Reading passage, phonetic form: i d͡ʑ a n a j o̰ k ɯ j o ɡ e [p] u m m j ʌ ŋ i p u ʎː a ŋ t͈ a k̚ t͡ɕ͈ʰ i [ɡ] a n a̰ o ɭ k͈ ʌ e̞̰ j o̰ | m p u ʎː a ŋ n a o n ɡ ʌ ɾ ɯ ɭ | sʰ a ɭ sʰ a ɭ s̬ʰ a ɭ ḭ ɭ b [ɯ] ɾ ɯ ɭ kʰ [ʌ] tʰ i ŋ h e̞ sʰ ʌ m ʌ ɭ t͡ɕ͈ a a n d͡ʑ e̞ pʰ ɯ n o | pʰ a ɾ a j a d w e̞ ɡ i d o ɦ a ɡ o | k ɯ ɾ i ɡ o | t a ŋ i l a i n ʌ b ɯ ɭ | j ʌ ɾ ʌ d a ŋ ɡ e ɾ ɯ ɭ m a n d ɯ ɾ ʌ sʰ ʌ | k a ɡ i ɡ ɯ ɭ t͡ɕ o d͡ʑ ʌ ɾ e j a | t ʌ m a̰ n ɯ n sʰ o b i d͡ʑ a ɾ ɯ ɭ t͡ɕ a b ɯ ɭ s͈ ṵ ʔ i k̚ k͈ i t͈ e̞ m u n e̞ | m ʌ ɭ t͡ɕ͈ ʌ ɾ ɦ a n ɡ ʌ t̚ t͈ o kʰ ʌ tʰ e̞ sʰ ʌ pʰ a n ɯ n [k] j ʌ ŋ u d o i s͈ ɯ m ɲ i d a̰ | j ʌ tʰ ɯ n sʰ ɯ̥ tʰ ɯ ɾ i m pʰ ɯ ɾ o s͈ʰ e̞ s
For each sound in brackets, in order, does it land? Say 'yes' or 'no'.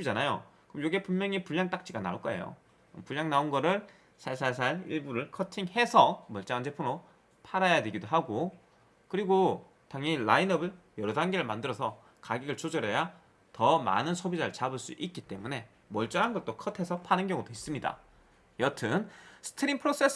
yes, yes, no, yes, no

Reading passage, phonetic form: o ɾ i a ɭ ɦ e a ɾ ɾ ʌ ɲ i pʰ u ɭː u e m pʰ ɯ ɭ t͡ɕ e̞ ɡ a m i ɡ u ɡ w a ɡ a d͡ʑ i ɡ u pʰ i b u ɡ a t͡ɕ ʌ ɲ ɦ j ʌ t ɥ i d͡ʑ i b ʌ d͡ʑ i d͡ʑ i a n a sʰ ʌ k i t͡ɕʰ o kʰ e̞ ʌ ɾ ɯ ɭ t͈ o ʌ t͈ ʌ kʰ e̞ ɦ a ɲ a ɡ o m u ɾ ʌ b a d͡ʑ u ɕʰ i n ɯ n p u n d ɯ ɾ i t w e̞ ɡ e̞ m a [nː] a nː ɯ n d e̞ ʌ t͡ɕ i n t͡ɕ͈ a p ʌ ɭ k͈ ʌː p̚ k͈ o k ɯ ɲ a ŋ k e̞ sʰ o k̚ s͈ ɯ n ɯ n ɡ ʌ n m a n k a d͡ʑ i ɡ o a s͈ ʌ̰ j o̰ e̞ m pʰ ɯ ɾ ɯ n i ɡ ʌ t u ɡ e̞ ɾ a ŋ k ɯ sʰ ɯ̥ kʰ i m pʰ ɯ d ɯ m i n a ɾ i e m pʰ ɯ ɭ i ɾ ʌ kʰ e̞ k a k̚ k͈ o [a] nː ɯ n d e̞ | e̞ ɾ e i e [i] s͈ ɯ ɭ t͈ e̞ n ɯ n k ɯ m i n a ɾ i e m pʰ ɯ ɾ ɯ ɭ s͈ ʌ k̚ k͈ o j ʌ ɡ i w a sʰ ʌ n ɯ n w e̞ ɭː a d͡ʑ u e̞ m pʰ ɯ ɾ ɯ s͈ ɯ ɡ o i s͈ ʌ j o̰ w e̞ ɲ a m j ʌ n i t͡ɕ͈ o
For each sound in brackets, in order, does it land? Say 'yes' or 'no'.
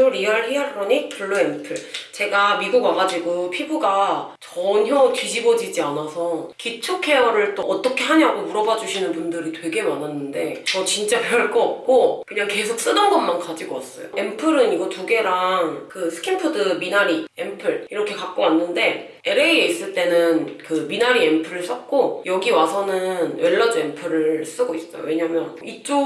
no, yes, yes

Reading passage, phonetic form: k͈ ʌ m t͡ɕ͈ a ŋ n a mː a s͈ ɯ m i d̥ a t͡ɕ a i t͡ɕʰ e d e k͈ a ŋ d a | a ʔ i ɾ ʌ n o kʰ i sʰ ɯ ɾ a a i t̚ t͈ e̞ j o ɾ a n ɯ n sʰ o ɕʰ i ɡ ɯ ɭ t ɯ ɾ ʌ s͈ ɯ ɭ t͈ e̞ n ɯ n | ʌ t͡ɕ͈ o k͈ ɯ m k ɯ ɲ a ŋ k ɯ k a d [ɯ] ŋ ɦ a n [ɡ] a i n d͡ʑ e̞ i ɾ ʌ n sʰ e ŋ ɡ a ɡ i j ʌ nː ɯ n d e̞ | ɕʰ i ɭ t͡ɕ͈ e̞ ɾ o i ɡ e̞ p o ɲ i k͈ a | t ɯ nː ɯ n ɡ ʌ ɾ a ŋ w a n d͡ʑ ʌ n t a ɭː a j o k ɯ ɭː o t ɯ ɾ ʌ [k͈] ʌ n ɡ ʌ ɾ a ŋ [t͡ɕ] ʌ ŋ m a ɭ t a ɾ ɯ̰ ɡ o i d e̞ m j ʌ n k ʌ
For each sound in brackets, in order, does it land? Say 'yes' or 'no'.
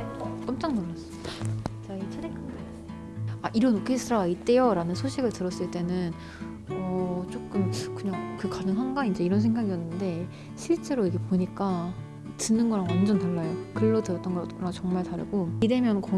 yes, yes, no, yes

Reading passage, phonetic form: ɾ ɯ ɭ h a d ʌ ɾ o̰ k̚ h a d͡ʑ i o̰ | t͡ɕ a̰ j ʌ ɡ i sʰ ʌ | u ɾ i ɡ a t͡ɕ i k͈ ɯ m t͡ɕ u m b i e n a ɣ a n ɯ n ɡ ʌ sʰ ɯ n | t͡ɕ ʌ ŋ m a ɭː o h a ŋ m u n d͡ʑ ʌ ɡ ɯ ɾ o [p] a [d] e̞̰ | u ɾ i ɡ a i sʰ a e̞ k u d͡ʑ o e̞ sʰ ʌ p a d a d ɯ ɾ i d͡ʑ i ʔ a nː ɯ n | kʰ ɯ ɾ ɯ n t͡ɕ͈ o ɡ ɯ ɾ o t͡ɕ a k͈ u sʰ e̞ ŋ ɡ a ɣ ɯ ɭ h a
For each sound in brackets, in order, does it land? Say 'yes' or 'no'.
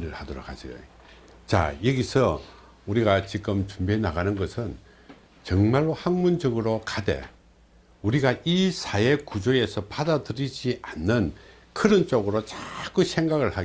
no, yes

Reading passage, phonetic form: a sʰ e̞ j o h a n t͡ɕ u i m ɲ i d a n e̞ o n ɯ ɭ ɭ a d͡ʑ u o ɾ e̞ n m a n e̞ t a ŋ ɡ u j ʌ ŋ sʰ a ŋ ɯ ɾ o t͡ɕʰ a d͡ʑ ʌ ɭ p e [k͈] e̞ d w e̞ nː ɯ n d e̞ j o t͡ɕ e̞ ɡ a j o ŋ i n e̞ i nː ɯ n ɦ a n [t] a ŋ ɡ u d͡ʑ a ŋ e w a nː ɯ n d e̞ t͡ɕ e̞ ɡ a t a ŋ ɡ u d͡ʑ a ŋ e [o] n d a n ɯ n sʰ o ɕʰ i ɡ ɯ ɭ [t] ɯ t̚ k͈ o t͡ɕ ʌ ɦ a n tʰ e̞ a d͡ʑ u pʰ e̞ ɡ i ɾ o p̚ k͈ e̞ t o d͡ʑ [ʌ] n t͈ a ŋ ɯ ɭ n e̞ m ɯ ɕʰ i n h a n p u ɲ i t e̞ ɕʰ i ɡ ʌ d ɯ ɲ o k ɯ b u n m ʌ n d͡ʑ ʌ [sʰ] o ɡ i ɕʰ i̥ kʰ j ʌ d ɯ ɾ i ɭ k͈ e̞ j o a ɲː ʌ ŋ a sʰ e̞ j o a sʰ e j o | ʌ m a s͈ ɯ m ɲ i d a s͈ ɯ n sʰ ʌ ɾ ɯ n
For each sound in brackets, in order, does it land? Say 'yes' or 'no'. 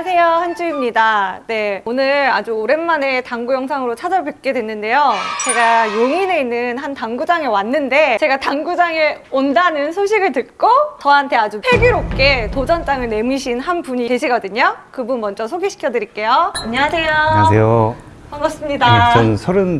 yes, yes, yes, yes, yes, yes

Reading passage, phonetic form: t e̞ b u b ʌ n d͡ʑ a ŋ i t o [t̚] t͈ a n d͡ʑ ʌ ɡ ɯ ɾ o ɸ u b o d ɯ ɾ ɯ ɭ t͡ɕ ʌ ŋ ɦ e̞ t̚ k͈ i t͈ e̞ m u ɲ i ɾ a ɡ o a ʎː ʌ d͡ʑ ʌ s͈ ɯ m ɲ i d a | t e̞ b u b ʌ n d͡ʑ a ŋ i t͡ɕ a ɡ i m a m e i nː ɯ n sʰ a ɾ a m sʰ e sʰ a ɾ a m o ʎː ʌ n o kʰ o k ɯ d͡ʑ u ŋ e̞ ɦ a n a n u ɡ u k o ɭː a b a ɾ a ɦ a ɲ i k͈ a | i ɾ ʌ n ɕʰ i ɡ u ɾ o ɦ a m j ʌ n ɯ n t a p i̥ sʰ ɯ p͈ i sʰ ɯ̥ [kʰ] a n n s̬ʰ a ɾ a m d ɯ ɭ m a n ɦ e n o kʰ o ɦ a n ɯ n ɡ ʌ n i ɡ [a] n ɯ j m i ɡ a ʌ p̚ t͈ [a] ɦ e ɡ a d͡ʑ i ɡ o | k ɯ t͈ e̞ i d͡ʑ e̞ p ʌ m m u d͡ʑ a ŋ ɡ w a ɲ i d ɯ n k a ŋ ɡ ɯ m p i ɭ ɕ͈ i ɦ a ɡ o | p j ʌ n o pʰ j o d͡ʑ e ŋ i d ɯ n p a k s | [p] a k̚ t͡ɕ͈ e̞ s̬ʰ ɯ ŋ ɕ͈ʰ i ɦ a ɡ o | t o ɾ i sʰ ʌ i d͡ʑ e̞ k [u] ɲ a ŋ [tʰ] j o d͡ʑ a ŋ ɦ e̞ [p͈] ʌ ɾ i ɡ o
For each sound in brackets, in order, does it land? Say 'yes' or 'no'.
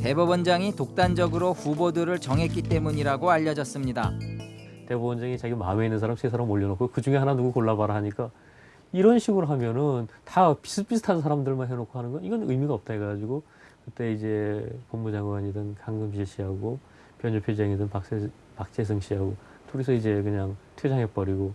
no, no, no, yes, yes, no, yes, yes

